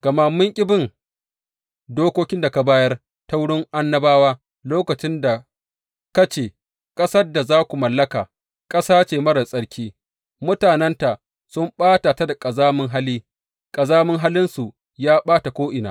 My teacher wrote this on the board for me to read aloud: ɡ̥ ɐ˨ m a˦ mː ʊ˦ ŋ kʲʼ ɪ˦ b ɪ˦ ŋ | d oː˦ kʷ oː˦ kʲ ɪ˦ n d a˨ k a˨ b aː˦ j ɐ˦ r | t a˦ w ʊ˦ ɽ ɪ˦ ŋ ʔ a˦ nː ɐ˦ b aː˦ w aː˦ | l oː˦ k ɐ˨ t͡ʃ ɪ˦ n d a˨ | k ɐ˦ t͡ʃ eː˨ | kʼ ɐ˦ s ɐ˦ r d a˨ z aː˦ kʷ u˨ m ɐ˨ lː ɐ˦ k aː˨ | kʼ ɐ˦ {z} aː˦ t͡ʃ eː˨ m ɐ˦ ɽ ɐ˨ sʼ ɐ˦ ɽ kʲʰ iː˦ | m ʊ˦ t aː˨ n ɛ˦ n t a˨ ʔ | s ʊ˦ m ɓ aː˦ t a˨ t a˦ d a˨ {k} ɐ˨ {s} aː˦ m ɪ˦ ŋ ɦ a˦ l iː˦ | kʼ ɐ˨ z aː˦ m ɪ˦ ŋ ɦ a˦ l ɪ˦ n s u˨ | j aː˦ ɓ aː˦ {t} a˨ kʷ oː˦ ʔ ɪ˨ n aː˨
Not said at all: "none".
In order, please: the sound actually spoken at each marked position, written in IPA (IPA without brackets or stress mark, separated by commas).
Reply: s, kʼ, z, t